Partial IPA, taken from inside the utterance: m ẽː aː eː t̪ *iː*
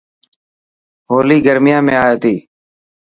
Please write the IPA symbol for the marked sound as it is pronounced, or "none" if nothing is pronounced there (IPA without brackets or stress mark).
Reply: iː